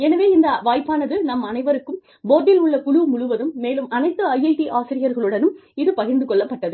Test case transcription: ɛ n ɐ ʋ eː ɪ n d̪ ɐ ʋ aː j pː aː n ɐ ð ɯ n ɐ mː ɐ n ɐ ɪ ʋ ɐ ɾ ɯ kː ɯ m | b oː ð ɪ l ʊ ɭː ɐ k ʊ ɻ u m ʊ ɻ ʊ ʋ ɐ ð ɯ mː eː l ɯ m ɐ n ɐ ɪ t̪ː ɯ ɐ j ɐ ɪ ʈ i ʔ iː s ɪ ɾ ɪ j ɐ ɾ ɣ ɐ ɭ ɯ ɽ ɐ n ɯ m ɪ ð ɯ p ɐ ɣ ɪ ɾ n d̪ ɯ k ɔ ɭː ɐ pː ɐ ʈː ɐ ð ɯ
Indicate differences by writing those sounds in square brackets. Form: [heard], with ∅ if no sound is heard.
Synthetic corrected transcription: ɛ n ɐ ʋ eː ɪ n d̪ ɐ ʋ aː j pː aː n ɐ ð ɯ n ɐ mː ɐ n ɐ ɪ ʋ ɐ ɾ ɯ kː ɯ m | b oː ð ɪ l ʊ ɭː ɐ k ʊ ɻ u m ʊ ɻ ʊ ʋ ɐ ð ɯ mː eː l ɯ m ɐ n ɐ ɪ t̪ː ɯ ɐ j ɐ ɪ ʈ i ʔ [aː] s ɪ ɾ ɪ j ɐ ɾ ɣ ɐ ɭ ɯ ɽ ɐ n ɯ m ɪ ð ɯ p ɐ ɣ ɪ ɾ n d̪ ɯ k ɔ ɭː ɐ pː ɐ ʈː ɐ ð ɯ